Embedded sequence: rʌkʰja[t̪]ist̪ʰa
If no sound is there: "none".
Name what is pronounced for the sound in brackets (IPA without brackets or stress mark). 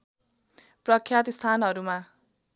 t̪